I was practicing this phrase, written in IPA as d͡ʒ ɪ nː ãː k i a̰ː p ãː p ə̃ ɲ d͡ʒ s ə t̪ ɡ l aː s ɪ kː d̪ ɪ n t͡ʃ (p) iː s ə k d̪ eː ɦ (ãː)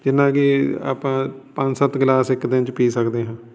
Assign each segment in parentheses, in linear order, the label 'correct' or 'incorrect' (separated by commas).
correct, correct